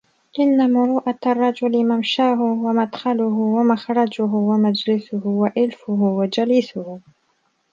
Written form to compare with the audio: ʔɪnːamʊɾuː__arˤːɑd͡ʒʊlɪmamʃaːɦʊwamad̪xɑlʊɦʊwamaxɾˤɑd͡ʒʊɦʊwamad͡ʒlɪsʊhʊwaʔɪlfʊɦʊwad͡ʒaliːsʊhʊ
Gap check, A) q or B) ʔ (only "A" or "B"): B